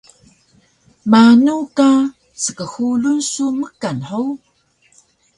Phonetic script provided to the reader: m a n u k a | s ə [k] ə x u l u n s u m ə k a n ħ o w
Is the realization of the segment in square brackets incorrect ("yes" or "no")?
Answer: no